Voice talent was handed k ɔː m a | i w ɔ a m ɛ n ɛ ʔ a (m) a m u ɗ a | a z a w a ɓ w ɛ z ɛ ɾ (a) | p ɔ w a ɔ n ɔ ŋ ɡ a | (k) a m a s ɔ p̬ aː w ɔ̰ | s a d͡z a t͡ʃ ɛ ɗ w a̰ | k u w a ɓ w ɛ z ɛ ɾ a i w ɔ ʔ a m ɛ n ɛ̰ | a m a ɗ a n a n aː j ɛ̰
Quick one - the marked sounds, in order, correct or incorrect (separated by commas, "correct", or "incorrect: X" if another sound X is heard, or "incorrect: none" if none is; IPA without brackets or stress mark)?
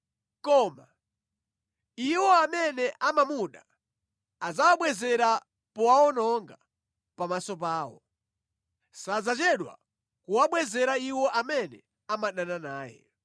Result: correct, correct, incorrect: p